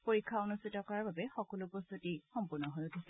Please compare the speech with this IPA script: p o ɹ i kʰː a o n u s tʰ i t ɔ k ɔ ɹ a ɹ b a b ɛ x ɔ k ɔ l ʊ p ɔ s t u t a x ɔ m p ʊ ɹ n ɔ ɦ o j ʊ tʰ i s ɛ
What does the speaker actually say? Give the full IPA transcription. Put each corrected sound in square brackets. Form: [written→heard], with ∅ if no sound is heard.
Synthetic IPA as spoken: p o ɹ i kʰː a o n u s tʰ i t ɔ k ɔ ɹ a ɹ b a b ɛ x ɔ k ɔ l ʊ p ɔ s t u t [a→i] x ɔ m p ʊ ɹ n ɔ ɦ o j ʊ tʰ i s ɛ

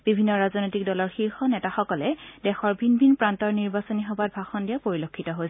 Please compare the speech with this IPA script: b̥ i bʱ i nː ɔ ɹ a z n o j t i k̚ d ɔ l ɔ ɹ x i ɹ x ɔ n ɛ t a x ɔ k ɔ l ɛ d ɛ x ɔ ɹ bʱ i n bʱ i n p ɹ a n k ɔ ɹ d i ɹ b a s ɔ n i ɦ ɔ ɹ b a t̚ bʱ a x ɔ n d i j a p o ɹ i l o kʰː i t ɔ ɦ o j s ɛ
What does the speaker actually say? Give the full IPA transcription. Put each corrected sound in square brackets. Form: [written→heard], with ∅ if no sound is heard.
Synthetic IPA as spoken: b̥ i bʱ i nː ɔ ɹ a z n o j t i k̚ d ɔ l ɔ ɹ x i ɹ x ɔ n ɛ t a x ɔ k ɔ l ɛ d ɛ x ɔ ɹ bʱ i n bʱ i n p ɹ a n [k→t] ɔ ɹ [d→n] i ɹ b a s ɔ n i ɦ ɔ [ɹ→∅] b a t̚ bʱ a x ɔ n d i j a p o ɹ i l o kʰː i t ɔ ɦ o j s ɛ

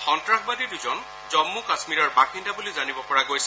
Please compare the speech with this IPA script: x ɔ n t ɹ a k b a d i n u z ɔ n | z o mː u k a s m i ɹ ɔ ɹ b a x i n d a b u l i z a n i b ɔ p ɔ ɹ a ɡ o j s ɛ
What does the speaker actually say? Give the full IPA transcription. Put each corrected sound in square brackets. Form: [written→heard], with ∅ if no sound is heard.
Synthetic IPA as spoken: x ɔ n t ɹ a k b a d i [n→d] u z ɔ n | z [o→ɔ] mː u k a s m i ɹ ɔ ɹ b a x i n d a b u l i z a n i b ɔ p ɔ ɹ a ɡ o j s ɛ

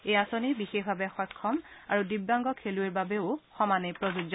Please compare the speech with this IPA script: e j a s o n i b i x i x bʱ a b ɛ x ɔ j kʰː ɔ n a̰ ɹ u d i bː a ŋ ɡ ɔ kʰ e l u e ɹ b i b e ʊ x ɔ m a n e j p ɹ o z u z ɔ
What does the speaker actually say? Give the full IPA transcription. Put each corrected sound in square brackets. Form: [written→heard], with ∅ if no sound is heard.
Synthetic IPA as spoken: e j a s o n i b i x [i→e] x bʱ a b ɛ x ɔ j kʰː ɔ [n→m] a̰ ɹ u d i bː a ŋ ɡ ɔ kʰ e l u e ɹ b [i→a] b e ʊ x ɔ m a n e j p ɹ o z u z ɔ

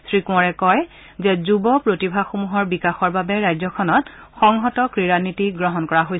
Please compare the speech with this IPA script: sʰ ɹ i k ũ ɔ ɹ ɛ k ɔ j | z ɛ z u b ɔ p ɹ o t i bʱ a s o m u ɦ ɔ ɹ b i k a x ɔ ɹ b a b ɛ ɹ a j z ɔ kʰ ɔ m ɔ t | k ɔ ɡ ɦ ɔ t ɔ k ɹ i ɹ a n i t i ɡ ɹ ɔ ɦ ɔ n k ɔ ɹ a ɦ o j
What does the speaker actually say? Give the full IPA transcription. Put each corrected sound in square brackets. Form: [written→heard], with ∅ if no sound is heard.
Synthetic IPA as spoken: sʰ ɹ i k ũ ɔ ɹ ɛ k ɔ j | z ɛ z u b ɔ p ɹ o t i bʱ a [s→x] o m u ɦ ɔ ɹ b i k a x ɔ ɹ b a b ɛ ɹ a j z ɔ kʰ ɔ [m→n] ɔ t | [k→x] ɔ [ɡ→ŋ] ɦ ɔ t ɔ k ɹ i ɹ a n i t i ɡ ɹ ɔ ɦ ɔ n k ɔ ɹ a ɦ o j

